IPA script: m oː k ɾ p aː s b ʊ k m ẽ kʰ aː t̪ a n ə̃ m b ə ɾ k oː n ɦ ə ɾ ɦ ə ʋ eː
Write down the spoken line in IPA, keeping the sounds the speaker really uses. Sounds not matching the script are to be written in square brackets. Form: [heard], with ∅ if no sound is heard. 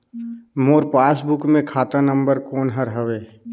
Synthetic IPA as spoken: m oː [∅] ɾ p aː s b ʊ k m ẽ kʰ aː t̪ a n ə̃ m b ə ɾ k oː n ɦ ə ɾ ɦ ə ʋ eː